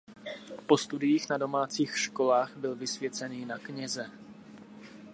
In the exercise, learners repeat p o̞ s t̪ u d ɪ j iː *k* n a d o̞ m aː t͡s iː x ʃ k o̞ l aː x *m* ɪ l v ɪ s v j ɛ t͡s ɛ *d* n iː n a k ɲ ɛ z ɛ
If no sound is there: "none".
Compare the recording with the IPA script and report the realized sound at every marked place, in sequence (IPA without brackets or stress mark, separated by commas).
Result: x, b, none